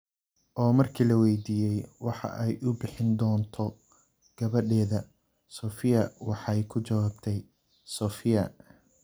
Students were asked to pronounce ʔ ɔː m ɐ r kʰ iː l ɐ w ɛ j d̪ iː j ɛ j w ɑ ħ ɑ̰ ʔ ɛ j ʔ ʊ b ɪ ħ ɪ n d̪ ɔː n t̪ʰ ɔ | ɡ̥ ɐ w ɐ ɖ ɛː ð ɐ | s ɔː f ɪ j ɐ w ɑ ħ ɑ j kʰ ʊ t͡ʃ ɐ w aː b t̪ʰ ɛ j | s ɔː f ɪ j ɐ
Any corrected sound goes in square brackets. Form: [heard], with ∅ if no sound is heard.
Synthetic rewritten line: ʔ ɔː m ɐ r kʰ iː l ɐ w ɛ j d̪ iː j ɛ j w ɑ ħ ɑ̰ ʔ ɛ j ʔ ʊ b ɪ ħ ɪ n d̪ ɔː n t̪ʰ ɔ | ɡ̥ ɐ [β] ɐ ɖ ɛː ð ɐ | s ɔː f ɪ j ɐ w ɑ ħ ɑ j kʰ ʊ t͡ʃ ɐ w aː b t̪ʰ ɛ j | s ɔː f ɪ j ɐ

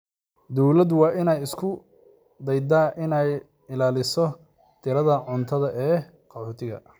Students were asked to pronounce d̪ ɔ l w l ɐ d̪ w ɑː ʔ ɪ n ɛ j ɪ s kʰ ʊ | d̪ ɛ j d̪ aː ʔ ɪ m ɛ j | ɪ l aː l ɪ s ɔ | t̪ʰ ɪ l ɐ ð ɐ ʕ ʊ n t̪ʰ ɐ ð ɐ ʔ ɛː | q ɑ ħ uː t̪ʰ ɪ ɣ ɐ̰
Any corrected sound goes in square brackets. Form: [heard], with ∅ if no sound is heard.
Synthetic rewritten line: d̪ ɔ [∅] w l ɐ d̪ w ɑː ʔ ɪ n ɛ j ɪ s kʰ ʊ | d̪ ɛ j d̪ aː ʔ ɪ [n] ɛ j | ɪ l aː l ɪ s ɔ | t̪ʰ ɪ [ɾ] ɐ ð ɐ ʕ ʊ n t̪ʰ ɐ ð ɐ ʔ ɛː | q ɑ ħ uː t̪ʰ ɪ ɣ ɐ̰

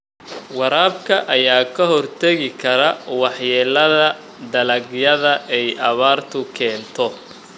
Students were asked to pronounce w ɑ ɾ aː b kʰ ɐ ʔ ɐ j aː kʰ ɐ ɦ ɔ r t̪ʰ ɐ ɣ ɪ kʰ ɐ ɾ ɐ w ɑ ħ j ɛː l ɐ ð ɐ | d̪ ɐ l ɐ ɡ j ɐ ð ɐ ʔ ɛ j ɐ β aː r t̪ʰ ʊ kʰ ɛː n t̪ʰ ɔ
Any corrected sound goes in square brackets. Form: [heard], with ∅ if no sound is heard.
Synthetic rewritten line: w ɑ ɾ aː b kʰ ɐ ʔ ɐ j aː kʰ ɐ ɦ ɔ r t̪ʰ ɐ ɣ ɪ kʰ ɐ ɾ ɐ w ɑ ħ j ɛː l ɐ ð ɐ | d̪ ɐ l ɐ ɡ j ɐ ð ɐ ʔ ɛ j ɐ β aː r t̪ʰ ʊ kʰ ɛː n t̪ʰ ɔ

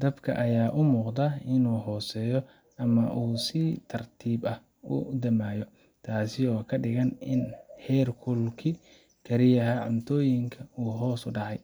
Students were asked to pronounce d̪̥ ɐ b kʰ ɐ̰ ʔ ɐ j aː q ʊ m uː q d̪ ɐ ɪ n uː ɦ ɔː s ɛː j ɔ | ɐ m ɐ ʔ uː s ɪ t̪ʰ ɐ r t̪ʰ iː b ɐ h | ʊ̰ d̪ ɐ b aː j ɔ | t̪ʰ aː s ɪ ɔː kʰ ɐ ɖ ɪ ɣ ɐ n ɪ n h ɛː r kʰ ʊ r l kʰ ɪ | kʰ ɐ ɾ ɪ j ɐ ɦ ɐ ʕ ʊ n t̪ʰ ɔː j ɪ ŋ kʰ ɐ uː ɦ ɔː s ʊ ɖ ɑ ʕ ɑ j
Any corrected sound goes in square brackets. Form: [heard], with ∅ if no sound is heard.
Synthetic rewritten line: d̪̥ ɐ b kʰ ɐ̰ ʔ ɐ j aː [ʔ] ʊ m uː q d̪ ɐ ɪ n uː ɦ ɔː s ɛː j ɔ | ɐ m ɐ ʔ uː s ɪ t̪ʰ ɐ r t̪ʰ iː b ɐ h | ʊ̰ d̪ ɐ [m] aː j ɔ | t̪ʰ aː s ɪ ɔː kʰ ɐ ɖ ɪ ɣ ɐ n ɪ n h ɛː r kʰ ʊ [∅] l kʰ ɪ | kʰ ɐ ɾ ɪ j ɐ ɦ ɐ ʕ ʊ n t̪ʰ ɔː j ɪ ŋ kʰ ɐ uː ɦ ɔː s ʊ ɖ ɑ ʕ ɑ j

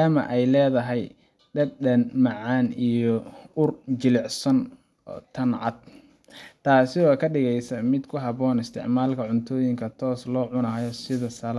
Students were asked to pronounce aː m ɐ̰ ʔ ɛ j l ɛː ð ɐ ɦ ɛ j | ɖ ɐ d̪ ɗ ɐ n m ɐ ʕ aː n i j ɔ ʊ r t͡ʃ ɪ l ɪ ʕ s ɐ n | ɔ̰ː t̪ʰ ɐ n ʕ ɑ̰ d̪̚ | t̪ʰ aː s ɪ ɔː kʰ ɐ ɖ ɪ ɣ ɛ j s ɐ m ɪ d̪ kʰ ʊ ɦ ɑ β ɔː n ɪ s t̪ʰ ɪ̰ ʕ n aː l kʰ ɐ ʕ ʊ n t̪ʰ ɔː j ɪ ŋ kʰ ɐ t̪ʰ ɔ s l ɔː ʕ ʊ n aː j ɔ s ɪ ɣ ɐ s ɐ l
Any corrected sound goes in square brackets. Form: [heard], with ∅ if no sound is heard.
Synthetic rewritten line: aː m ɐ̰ ʔ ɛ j l ɛː ð ɐ ɦ ɛ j | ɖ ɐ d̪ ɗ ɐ n m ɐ ʕ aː n i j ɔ ʊ r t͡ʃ ɪ l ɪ ʕ s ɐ n | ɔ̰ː t̪ʰ ɐ n ʕ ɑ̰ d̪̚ | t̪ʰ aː s ɪ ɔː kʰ ɐ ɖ ɪ ɣ ɛ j s ɐ m ɪ d̪ kʰ ʊ ɦ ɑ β ɔː n ɪ s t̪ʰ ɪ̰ ʕ [m] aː l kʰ ɐ ʕ ʊ n t̪ʰ ɔː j ɪ ŋ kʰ ɐ t̪ʰ [ɔː] s l ɔː ʕ ʊ n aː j ɔ s ɪ [ð] ɐ s ɐ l

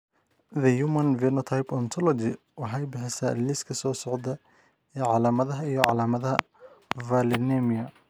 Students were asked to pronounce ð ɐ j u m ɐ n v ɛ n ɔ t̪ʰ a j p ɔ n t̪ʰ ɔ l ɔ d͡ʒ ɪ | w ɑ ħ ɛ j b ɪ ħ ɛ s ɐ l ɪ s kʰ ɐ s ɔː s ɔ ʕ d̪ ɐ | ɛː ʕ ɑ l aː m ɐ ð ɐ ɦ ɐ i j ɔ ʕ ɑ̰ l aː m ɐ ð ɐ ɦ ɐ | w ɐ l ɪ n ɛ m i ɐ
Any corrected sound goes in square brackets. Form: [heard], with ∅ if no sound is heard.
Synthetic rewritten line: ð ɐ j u m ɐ n v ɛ n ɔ t̪ʰ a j p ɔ n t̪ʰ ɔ l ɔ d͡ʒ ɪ | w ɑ ħ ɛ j b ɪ ħ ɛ s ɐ l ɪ s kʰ ɐ s ɔː s ɔ ʕ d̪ ɐ | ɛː ʕ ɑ l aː m ɐ ð ɐ ɦ ɐ i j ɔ ʕ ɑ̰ l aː m ɐ ð ɐ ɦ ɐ | [v] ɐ l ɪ n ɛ m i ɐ

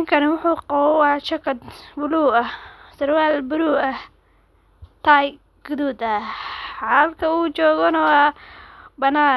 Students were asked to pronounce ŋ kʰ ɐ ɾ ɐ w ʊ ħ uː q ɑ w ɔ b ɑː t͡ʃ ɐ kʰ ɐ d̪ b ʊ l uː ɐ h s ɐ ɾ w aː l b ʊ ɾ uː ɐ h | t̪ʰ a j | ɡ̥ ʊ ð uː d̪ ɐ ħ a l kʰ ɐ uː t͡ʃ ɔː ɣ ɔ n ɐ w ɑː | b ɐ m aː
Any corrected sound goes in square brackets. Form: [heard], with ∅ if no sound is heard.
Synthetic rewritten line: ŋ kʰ ɐ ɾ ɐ w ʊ ħ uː q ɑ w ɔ [w] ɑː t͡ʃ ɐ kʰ ɐ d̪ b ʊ l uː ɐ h s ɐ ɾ w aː l b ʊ ɾ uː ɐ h | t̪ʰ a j | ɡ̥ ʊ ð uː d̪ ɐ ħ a l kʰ ɐ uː t͡ʃ ɔː ɣ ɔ n ɐ w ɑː | b ɐ [n] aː

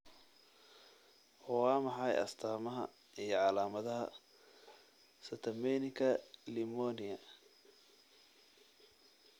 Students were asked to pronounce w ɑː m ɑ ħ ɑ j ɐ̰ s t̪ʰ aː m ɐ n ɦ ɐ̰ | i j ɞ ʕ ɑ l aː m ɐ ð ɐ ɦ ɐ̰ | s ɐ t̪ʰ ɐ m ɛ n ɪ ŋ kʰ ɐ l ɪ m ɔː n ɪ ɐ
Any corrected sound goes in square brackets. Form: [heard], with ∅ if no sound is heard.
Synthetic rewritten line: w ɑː m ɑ ħ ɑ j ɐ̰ s t̪ʰ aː m ɐ [∅] ɦ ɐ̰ | i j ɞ ʕ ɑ l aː m ɐ ð ɐ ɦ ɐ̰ | s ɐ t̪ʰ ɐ m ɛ n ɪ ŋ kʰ ɐ l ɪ m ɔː n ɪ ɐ

